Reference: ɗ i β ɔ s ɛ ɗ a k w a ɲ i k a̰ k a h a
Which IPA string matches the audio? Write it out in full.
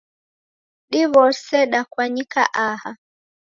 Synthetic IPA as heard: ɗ i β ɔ s ɛ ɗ a k w a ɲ i k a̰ ʔ a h a